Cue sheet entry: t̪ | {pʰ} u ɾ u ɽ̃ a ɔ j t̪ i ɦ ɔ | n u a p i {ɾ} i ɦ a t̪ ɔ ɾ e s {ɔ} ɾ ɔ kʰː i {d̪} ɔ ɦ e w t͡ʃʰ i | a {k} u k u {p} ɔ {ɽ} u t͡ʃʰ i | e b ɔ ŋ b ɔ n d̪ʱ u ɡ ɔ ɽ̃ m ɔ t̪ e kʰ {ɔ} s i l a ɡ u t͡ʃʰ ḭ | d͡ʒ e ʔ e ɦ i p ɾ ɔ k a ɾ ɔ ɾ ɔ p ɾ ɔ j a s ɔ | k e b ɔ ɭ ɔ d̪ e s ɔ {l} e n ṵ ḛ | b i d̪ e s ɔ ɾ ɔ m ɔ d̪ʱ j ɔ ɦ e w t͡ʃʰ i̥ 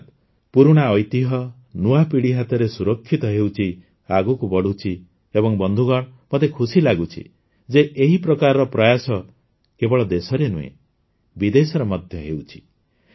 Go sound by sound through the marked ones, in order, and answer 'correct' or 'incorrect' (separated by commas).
incorrect, incorrect, incorrect, incorrect, incorrect, incorrect, correct, incorrect, incorrect